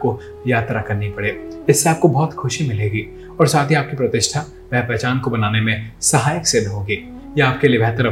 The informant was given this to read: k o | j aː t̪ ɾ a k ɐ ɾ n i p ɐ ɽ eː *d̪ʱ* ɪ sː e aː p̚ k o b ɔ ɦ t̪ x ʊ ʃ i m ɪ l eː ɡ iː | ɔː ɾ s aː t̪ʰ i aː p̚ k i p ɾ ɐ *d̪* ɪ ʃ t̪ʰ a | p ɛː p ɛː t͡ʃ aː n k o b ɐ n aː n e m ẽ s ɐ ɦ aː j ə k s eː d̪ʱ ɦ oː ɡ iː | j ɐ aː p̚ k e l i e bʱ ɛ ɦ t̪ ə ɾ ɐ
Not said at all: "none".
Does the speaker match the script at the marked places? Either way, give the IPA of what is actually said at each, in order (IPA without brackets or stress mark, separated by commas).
none, t̪